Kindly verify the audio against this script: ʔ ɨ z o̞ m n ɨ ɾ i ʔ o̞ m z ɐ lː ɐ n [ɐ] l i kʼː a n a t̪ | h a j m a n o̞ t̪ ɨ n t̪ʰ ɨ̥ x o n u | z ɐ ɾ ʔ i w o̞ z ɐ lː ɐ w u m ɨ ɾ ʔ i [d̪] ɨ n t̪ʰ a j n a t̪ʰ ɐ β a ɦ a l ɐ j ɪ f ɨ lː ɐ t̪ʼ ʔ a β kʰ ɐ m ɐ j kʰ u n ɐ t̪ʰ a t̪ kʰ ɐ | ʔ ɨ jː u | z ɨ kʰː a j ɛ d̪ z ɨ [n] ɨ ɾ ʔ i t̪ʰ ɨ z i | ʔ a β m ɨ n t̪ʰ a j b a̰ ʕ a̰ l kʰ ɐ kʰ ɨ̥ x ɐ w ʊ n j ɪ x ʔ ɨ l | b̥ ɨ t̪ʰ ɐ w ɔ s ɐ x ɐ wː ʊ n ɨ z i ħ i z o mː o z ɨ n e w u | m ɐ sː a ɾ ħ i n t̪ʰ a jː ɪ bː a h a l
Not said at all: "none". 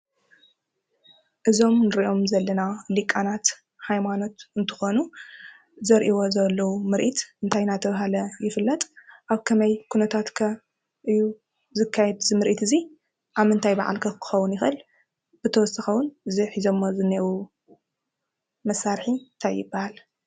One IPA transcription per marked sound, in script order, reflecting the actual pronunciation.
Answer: a, t̪, m

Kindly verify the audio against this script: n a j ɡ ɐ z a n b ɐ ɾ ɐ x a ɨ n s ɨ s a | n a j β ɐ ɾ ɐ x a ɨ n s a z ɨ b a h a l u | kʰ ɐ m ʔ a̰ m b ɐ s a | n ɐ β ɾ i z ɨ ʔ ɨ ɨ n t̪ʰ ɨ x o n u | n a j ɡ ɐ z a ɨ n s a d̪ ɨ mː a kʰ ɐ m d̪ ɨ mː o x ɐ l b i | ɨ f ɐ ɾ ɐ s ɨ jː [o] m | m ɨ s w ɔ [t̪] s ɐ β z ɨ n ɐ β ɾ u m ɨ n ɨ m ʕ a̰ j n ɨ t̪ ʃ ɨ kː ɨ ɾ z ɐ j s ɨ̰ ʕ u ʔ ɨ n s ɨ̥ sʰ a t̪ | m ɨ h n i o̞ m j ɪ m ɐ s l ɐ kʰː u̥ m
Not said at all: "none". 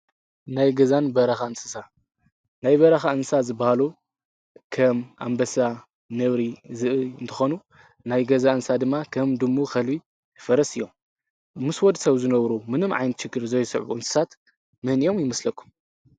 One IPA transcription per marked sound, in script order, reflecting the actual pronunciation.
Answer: o, d̪

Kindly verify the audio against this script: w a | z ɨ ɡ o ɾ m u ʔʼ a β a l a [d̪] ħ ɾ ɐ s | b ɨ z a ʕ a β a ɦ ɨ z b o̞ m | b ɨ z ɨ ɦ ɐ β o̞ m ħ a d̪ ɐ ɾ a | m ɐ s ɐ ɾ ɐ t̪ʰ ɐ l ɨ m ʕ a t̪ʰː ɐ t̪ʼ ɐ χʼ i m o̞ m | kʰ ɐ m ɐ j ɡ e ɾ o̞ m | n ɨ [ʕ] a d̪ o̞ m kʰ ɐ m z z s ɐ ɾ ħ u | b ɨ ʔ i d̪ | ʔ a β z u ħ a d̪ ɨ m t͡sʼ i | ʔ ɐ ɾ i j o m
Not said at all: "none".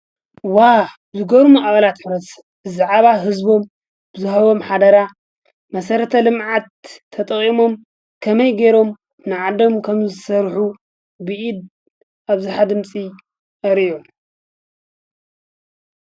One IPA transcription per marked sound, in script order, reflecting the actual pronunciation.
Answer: t̪, ʕ

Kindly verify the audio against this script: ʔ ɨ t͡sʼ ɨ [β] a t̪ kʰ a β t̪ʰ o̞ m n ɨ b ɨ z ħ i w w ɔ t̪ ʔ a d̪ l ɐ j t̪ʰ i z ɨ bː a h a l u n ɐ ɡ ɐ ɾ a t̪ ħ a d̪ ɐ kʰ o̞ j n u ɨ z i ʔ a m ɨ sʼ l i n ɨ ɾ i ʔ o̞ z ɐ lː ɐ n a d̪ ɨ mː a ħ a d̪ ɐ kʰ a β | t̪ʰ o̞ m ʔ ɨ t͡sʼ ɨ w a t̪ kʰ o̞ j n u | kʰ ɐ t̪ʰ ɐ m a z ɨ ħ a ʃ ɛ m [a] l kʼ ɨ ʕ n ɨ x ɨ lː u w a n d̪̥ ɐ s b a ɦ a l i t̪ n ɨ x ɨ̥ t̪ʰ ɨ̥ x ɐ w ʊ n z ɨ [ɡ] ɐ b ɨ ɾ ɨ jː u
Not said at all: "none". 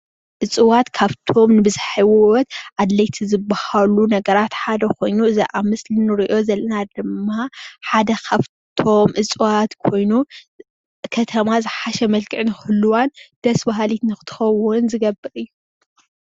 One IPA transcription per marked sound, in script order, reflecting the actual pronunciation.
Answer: w, ɐ, ɡ

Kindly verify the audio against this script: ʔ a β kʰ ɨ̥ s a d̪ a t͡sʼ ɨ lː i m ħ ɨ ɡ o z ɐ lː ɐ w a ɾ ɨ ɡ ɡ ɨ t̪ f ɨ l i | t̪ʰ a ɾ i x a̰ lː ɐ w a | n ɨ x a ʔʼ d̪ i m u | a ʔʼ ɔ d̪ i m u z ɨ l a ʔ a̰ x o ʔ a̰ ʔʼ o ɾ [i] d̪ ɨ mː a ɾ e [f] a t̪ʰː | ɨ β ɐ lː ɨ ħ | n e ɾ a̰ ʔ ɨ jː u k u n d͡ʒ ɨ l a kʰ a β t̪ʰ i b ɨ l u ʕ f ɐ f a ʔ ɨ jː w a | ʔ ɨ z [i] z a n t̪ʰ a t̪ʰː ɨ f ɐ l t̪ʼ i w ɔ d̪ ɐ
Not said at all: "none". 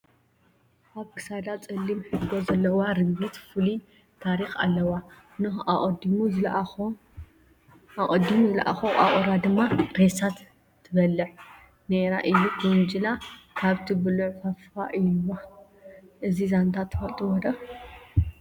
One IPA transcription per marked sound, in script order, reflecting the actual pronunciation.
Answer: a, s, i

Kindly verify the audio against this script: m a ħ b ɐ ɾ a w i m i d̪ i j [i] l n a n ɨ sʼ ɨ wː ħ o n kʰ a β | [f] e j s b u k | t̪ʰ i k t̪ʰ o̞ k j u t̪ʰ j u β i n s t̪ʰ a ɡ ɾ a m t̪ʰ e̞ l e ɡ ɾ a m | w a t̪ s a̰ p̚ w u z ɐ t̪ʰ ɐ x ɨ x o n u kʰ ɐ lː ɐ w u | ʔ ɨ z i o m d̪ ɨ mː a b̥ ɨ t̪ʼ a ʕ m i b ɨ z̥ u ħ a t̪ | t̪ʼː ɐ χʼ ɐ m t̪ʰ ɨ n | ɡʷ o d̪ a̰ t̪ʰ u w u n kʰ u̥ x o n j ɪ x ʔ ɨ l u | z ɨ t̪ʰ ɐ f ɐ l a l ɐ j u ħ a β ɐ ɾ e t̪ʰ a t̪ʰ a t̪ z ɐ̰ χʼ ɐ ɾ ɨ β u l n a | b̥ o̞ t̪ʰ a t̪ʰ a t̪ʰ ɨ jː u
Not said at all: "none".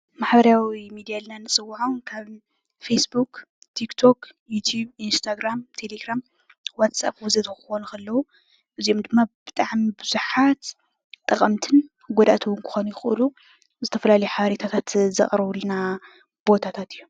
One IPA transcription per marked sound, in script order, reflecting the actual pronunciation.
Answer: a, f

